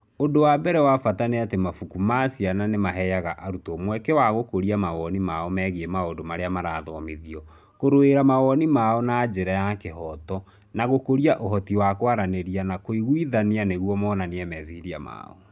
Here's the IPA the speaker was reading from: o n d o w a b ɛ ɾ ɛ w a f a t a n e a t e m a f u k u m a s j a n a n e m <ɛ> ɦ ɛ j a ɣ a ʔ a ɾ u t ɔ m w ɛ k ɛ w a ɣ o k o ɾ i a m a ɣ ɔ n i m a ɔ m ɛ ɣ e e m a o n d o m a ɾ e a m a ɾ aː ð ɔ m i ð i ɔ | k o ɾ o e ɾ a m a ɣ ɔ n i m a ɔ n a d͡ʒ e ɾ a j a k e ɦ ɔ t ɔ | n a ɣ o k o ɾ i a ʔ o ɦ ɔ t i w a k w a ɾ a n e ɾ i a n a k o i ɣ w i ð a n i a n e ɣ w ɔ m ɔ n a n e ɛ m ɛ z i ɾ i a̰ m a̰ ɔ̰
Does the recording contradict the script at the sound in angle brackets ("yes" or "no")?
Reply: yes